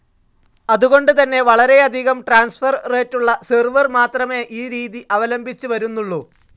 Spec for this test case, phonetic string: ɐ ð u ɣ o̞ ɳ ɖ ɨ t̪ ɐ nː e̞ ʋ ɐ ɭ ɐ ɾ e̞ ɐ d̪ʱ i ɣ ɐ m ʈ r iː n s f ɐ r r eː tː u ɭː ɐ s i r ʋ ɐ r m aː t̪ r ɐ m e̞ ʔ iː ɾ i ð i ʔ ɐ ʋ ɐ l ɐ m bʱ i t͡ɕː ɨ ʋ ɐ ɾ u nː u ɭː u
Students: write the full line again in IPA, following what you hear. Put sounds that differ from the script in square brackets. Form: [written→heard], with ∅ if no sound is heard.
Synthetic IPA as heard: ɐ ð u ɣ o̞ ɳ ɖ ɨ t̪ ɐ nː e̞ ʋ ɐ ɭ ɐ ɾ e̞ ɐ d̪ʱ i ɣ ɐ m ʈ r [iː→aː] n s f ɐ r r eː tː u ɭː ɐ s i r ʋ ɐ r m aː t̪ r ɐ m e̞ ʔ iː ɾ [i→iː] ð i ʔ ɐ ʋ ɐ l ɐ m bʱ i t͡ɕː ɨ ʋ ɐ ɾ u nː u ɭː u